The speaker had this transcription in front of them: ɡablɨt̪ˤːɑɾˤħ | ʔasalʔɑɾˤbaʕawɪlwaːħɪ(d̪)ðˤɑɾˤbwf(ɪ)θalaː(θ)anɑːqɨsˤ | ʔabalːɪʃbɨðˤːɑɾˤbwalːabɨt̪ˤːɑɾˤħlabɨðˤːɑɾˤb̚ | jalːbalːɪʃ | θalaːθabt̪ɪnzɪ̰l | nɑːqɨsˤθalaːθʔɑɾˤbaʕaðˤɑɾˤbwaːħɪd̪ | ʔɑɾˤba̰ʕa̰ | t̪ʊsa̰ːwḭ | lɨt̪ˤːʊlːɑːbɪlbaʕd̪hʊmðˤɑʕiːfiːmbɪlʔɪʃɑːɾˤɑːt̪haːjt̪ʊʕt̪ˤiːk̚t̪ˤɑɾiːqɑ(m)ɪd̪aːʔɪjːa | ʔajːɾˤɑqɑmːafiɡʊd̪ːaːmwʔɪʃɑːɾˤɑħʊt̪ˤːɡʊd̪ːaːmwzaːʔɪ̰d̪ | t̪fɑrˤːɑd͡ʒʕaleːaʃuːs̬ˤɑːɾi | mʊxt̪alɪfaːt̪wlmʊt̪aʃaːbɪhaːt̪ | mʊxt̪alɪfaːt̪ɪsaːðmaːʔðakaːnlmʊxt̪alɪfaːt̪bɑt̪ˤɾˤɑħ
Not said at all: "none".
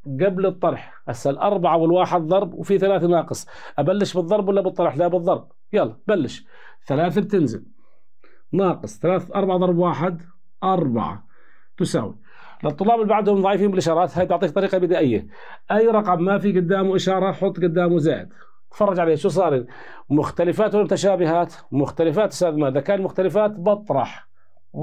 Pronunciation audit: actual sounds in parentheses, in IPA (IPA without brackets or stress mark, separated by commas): d̪, i, θ, b